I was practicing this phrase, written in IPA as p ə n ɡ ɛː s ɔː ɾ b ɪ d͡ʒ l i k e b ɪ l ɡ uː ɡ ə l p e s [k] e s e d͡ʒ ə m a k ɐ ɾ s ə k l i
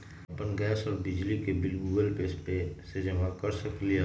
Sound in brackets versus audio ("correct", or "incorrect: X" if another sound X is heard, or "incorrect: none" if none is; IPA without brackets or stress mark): incorrect: p